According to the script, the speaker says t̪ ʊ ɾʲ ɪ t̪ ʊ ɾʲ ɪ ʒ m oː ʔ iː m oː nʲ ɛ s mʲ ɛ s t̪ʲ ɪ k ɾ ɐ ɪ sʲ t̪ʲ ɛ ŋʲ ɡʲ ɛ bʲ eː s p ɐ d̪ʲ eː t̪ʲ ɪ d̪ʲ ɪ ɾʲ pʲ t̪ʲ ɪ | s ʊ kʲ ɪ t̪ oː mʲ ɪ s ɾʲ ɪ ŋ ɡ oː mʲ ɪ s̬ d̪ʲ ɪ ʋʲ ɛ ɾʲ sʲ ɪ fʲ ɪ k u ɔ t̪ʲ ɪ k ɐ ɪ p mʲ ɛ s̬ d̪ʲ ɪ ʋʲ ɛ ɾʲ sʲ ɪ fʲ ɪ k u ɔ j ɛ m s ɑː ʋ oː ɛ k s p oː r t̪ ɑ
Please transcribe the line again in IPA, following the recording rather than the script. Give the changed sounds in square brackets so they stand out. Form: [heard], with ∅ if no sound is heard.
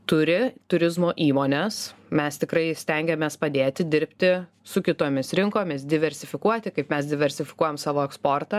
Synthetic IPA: t̪ ʊ ɾʲ ɪ t̪ ʊ ɾʲ ɪ [z] m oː ʔ iː m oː nʲ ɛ s mʲ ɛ s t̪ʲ ɪ k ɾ ɐ ɪ sʲ t̪ʲ ɛ ŋʲ ɡʲ ɛ [mʲ] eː s p ɐ d̪ʲ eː t̪ʲ ɪ d̪ʲ ɪ ɾʲ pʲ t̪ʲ ɪ | s ʊ kʲ ɪ t̪ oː mʲ ɪ s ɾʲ ɪ ŋ [k] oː mʲ ɪ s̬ d̪ʲ ɪ ʋʲ ɛ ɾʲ sʲ ɪ fʲ ɪ k u ɔ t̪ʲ ɪ k ɐ ɪ p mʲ ɛ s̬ d̪ʲ ɪ ʋʲ ɛ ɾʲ sʲ ɪ fʲ ɪ k u ɔ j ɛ m s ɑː ʋ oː ɛ k s p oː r t̪ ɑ